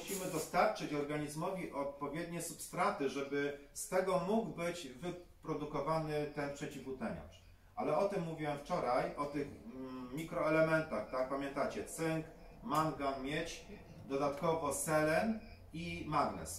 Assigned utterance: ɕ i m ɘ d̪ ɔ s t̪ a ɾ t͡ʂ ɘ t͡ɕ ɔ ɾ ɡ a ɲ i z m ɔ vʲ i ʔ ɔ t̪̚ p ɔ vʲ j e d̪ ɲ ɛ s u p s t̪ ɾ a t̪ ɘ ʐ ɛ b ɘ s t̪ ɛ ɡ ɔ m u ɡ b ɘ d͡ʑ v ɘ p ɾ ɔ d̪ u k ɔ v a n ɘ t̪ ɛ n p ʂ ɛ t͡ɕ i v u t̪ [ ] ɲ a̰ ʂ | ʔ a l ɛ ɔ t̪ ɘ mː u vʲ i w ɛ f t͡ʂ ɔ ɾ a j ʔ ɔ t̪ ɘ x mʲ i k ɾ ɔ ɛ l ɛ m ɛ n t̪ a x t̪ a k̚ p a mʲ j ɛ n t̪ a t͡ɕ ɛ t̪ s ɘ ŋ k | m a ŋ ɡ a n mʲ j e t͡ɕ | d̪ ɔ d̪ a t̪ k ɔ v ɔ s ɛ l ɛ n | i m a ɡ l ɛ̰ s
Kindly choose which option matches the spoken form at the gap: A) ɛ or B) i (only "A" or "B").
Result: A